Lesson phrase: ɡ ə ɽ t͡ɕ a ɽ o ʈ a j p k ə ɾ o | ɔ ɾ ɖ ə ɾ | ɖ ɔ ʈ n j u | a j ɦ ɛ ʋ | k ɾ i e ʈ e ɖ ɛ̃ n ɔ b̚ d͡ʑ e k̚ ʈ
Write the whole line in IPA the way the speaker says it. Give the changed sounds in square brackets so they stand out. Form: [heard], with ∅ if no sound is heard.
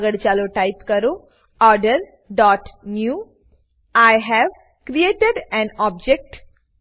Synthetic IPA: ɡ ə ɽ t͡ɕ a [l] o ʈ a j p k ə ɾ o | ɔ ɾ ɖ ə ɾ | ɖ ɔ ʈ n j u | a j ɦ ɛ ʋ | k ɾ i e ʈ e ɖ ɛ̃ n ɔ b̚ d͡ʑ e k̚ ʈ